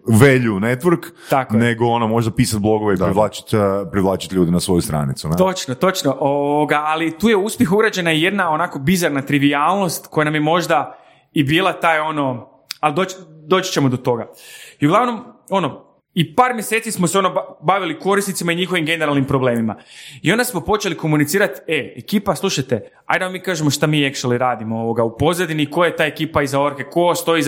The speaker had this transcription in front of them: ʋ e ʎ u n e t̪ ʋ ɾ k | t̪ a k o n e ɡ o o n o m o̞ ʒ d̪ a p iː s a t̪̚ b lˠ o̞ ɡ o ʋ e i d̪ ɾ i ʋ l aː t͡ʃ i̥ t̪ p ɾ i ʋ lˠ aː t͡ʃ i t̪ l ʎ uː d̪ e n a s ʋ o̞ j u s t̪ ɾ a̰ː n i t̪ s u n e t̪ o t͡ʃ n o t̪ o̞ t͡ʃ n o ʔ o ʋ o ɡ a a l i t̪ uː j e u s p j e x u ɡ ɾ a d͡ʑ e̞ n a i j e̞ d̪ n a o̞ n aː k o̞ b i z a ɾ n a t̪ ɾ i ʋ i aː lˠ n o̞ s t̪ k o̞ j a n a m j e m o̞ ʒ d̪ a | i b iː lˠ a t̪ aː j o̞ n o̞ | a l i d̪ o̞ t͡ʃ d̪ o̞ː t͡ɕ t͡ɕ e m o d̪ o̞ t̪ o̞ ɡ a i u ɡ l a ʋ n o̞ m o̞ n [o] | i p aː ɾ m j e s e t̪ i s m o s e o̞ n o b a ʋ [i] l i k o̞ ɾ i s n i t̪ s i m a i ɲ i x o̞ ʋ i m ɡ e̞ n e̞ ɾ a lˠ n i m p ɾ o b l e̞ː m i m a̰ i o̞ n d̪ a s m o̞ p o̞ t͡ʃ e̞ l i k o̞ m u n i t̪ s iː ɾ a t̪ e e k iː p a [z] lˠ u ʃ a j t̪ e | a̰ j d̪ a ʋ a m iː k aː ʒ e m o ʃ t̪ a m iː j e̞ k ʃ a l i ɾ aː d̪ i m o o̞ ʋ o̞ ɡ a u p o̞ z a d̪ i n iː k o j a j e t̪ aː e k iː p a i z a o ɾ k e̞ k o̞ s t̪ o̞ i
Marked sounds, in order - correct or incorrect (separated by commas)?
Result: correct, correct, incorrect